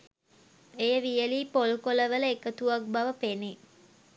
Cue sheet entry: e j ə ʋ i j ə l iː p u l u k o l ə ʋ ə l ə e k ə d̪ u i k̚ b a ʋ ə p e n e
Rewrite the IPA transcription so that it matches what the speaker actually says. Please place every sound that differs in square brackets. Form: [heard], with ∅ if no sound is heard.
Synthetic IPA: e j ə ʋ i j ə l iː p [o] l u k o l ə ʋ ə l ə e k ə [t̪] u [a] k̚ b a ʋ ə p e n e